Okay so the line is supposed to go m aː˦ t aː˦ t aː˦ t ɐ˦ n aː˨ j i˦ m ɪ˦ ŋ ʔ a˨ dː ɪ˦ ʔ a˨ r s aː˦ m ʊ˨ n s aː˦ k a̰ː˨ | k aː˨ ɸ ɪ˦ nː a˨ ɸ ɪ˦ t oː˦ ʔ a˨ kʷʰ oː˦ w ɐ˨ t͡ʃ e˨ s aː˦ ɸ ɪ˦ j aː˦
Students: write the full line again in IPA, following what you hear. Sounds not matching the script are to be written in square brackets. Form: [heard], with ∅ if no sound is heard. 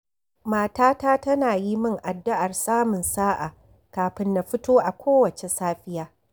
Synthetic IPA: m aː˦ t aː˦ t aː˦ t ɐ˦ n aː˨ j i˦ m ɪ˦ ŋ ʔ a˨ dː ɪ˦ ʔ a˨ r s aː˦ m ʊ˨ n s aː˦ [ʔ] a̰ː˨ | k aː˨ ɸ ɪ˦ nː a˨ ɸ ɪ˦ t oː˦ ʔ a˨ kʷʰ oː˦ w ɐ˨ t͡ʃ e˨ s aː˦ ɸ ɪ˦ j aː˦